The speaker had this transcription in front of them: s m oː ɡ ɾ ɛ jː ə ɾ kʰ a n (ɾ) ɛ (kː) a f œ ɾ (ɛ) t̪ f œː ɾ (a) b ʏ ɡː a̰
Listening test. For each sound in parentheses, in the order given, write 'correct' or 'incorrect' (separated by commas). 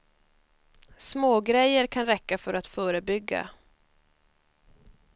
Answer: correct, correct, incorrect, incorrect